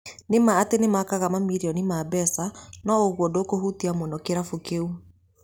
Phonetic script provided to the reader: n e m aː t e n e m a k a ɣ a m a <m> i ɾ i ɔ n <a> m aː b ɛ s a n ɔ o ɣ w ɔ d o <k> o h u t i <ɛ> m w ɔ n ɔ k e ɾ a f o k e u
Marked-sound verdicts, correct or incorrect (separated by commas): correct, incorrect, correct, incorrect